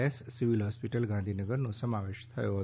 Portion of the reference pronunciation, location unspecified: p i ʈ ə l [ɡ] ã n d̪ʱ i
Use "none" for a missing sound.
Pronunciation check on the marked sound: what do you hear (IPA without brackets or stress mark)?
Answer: ɡ